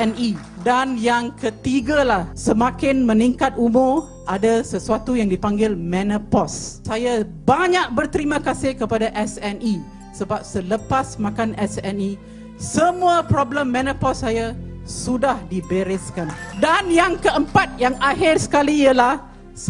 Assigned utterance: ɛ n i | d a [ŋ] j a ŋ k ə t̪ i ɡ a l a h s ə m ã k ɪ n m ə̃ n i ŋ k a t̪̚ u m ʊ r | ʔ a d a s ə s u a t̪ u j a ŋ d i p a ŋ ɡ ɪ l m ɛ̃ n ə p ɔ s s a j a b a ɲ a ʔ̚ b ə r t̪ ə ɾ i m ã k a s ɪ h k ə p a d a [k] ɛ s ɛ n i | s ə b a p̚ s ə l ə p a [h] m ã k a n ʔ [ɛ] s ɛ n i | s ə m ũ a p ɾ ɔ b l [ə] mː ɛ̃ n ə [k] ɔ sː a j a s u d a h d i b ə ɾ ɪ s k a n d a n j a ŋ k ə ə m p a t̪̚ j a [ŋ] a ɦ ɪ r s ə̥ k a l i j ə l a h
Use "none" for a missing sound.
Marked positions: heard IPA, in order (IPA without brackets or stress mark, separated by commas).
n, ʔ, s, ɛ, ə, p, ŋ